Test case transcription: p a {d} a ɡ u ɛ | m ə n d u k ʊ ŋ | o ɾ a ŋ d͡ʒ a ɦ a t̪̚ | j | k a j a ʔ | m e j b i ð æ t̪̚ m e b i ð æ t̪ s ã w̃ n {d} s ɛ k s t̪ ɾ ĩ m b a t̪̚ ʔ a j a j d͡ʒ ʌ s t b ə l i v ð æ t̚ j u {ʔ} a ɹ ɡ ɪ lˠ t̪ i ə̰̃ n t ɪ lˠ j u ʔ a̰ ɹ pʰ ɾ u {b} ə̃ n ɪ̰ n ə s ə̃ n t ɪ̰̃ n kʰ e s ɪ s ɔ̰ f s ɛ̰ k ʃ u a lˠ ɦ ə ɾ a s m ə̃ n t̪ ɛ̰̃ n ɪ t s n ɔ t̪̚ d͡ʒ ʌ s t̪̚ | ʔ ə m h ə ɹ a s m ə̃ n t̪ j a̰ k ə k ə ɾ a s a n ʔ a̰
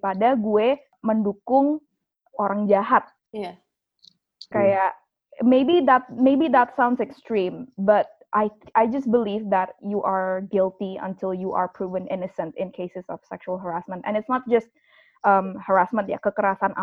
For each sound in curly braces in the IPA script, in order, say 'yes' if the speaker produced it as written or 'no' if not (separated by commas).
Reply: yes, yes, yes, no